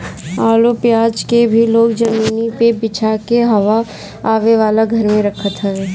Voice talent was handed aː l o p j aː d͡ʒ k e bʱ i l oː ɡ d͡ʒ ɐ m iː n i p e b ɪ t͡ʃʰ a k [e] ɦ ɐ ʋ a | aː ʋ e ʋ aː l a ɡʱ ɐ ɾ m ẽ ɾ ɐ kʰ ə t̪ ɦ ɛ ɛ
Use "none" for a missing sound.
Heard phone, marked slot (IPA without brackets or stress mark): e